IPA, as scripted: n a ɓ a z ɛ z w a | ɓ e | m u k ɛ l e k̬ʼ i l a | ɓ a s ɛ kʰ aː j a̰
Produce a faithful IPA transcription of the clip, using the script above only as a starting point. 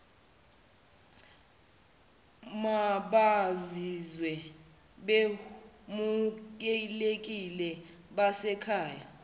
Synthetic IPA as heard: m a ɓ a z i z w ɛ | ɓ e | m u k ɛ l e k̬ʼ i l ɛ | ɓ a s ɛ kʰ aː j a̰

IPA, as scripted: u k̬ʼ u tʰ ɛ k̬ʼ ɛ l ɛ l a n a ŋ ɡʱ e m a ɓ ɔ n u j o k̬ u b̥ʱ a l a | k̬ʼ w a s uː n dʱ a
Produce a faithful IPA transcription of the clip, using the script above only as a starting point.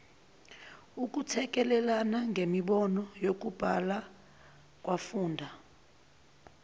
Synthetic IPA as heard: u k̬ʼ u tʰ ɛ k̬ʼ ɛ l ɛ l a n a ŋ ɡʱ e m i ɓ ɔ n ɔ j o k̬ u b̥ʱ a l a | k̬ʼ w a f uː n dʱ a

